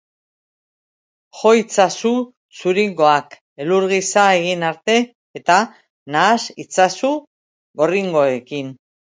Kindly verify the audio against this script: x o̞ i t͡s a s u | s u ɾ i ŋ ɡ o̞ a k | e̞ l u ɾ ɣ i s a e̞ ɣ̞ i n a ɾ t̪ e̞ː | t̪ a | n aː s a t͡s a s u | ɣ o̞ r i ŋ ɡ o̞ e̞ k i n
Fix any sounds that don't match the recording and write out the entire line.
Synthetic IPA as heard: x o̞ i t͡s a s u | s u ɾ i ŋ ɡ o̞ a k | e̞ l u ɾ ɣ i s a e̞ ɣ̞ i n a ɾ t̪ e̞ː | t̪ a | n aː s i t͡s a s u | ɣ o̞ r i ŋ ɡ o̞ e̞ k i n